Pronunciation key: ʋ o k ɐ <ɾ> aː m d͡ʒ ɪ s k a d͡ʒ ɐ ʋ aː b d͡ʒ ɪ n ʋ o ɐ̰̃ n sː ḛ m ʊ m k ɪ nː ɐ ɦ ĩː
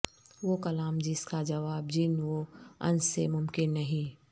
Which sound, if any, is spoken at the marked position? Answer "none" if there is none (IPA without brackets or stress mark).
l